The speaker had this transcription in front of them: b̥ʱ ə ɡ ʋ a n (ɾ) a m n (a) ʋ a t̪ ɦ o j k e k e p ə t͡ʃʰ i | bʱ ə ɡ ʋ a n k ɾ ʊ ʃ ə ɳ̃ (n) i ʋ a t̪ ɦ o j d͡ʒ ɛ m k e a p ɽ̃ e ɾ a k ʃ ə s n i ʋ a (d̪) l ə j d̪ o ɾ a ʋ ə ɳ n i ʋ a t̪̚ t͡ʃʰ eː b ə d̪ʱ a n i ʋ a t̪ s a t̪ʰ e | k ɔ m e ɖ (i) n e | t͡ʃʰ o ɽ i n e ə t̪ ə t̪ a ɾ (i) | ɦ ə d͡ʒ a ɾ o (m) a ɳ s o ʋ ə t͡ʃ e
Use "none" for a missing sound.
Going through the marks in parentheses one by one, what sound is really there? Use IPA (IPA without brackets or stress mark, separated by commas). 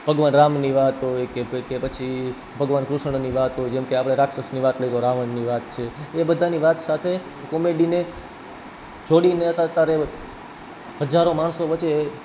ɾ, i, n, t̪, i, e, m